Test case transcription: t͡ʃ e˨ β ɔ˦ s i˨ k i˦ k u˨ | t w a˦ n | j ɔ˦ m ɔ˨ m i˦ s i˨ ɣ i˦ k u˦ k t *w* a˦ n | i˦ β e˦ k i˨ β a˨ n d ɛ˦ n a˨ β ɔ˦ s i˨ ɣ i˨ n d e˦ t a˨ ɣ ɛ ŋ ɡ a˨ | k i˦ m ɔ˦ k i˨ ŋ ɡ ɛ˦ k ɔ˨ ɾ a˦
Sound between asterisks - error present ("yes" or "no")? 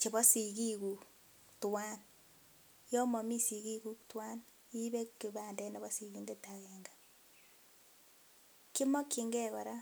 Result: no